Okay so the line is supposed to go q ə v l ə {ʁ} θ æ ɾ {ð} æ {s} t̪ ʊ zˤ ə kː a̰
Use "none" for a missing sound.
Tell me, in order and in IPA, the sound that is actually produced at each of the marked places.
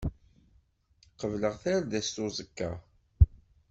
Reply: ʁ, ð, s

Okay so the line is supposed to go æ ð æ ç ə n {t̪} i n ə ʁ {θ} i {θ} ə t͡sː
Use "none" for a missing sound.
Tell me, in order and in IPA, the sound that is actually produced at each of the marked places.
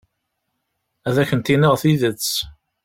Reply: t̪, θ, ð

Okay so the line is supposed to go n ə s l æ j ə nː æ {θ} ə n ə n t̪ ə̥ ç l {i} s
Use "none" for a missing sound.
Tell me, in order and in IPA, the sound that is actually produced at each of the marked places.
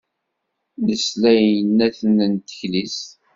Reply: θ, i

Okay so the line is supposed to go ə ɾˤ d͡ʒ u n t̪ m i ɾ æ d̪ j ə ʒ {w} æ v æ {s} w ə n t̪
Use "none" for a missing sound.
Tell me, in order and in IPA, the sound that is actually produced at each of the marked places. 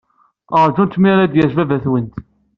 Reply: v, θ

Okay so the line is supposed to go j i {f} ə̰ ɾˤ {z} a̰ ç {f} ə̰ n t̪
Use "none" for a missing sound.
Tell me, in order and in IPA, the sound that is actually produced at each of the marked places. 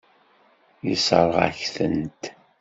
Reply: s, ʁ, θ

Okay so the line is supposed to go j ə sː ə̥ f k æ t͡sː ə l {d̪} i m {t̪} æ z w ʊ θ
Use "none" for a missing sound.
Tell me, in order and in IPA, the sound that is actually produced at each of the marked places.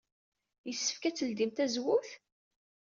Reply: d̪, t̪

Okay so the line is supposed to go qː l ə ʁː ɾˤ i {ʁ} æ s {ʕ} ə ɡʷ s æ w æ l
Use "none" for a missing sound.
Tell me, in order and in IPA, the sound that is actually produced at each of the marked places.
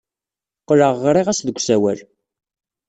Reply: ʁ, ð

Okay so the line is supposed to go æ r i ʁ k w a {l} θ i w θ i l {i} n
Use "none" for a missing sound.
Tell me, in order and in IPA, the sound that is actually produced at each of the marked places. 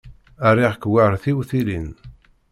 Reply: ɾ, i

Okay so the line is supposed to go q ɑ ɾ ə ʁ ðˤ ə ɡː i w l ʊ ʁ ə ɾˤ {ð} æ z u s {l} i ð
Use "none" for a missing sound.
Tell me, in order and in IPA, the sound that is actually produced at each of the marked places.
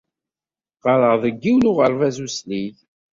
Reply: v, l

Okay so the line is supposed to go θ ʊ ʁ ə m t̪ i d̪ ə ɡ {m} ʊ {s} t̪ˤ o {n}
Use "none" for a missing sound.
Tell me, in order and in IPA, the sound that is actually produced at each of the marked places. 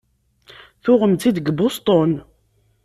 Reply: b, s, n

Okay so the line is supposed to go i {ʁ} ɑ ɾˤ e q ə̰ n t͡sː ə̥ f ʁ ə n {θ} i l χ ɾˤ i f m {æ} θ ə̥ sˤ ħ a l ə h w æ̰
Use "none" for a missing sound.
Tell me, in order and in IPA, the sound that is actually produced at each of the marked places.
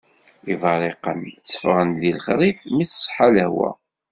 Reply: v, ð, i

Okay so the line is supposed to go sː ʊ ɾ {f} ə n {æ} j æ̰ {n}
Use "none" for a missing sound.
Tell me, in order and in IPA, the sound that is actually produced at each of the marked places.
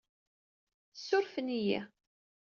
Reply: f, i, none

